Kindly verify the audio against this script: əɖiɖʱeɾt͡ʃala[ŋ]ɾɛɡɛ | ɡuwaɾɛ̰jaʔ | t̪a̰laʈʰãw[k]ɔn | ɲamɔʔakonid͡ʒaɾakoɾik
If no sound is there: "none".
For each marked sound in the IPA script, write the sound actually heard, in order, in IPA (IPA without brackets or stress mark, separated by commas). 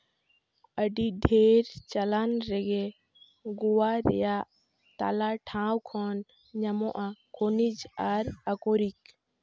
n, kʰ